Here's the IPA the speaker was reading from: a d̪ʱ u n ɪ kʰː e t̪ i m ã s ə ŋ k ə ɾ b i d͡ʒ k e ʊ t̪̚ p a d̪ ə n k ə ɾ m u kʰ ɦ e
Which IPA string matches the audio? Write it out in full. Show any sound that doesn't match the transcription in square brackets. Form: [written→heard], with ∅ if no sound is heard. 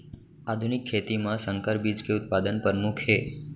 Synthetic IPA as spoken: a d̪ʱ u n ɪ kʰː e t̪ i m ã s ə ŋ k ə ɾ b i d͡ʒ k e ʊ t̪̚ p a d̪ ə n [k→p] ə ɾ m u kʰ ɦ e